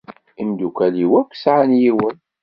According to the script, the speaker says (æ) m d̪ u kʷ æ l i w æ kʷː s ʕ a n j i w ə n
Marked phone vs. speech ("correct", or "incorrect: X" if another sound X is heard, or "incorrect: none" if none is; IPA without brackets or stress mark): incorrect: i